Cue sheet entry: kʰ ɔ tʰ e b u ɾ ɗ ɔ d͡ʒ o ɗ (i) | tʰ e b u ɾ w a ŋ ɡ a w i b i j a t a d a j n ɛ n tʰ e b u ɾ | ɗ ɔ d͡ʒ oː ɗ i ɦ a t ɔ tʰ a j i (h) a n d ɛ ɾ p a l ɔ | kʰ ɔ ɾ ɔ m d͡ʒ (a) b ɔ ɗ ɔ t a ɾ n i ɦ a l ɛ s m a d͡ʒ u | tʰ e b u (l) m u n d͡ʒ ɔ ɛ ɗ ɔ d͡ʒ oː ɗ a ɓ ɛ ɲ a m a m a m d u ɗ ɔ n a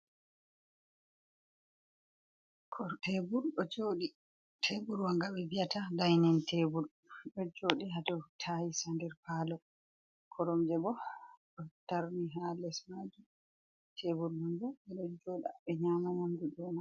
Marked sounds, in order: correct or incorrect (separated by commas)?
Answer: correct, incorrect, incorrect, incorrect